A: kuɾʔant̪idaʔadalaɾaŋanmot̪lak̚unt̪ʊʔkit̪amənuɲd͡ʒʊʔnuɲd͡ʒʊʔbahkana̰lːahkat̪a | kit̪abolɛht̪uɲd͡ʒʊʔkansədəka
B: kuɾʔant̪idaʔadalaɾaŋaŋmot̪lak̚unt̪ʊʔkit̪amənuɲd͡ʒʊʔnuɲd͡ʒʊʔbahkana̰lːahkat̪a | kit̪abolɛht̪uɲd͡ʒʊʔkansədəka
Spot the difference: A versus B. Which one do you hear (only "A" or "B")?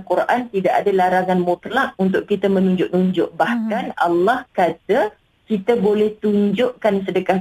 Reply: A